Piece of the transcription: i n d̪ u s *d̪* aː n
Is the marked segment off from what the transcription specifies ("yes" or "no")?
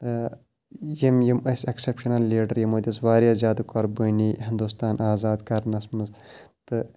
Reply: yes